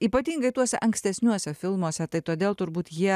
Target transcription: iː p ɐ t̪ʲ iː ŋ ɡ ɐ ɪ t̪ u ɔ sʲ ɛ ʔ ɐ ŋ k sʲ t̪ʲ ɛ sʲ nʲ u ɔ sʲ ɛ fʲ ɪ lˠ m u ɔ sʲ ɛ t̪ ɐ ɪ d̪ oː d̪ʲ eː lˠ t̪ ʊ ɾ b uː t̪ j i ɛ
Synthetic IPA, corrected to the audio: iː p ɐ t̪ʲ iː ŋ ɡ ɐ ɪ t̪ u ɔ sʲ ɛ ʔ ɐ ŋ k sʲ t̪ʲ ɛ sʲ nʲ u ɔ sʲ ɛ fʲ ɪ lˠ m u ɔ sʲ ɛ t̪ ɐ ɪ t̪ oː d̪ʲ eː lˠ t̪ ʊ ɾ b uː t̪ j i ɛ